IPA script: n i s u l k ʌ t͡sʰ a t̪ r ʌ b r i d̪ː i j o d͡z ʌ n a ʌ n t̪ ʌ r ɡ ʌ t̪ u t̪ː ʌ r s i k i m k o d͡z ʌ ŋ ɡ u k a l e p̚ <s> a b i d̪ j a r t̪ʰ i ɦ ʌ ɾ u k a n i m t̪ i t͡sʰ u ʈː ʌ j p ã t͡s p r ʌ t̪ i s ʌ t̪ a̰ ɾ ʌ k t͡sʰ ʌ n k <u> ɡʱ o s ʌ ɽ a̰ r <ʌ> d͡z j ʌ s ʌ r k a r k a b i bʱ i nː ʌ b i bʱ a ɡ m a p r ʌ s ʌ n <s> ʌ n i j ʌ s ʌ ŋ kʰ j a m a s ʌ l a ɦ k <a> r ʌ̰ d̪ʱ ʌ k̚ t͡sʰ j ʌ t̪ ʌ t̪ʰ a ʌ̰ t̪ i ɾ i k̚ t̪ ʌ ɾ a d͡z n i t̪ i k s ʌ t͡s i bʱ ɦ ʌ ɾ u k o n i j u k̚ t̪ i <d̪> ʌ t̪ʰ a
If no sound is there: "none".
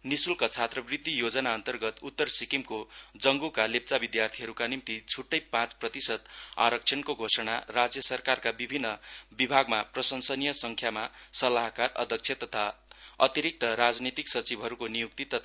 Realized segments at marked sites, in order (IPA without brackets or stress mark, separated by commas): t͡s, o, a, s, a, t̪